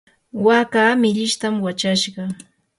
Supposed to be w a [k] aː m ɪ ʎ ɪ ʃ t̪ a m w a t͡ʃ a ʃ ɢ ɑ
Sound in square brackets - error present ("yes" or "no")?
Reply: no